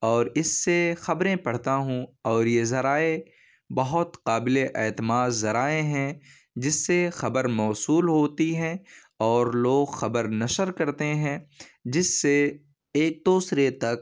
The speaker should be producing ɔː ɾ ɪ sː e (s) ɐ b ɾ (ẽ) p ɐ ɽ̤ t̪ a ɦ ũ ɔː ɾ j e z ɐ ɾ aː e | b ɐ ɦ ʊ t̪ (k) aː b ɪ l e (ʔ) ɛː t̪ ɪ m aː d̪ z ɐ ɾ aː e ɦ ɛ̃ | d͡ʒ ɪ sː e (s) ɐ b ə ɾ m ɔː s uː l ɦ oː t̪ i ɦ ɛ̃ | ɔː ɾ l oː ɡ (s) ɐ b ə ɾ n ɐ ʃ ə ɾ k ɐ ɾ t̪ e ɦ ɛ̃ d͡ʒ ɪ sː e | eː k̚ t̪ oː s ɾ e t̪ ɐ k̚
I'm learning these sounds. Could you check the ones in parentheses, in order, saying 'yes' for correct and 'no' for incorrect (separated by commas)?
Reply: no, yes, no, yes, no, no